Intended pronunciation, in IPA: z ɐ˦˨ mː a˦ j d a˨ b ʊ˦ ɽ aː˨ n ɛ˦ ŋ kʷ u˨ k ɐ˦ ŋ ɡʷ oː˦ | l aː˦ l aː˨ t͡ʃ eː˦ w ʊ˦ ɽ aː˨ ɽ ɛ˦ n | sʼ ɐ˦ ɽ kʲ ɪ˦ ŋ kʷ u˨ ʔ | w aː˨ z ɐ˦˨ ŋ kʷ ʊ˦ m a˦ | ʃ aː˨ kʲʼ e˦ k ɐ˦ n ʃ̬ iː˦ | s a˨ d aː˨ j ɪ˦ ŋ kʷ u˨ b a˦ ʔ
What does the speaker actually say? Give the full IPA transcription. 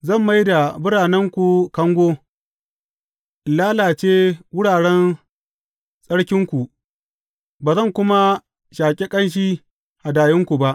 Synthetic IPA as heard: z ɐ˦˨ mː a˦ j d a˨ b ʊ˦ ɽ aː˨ n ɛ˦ ŋ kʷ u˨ k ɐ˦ ŋ ɡʷ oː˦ | l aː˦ l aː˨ t͡ʃ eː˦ w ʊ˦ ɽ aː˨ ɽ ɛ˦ n | sʼ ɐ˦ ɽ kʲ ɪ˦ ŋ kʷ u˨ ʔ | b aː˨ z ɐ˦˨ ŋ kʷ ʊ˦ m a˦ | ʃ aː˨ kʲʼ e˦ kʼ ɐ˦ n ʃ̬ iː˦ | h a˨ d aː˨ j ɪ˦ ŋ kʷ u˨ b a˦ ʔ